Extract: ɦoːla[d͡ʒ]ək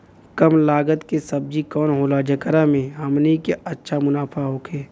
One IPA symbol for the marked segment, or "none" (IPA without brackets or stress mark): d͡ʒ